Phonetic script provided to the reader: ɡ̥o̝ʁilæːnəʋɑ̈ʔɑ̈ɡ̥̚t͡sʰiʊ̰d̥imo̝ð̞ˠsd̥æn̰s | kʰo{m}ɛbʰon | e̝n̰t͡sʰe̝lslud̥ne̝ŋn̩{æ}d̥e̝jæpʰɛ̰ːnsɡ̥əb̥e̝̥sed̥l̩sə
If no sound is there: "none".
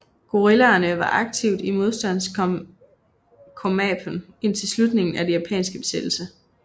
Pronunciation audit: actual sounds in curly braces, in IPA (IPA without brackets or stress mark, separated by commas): m, æ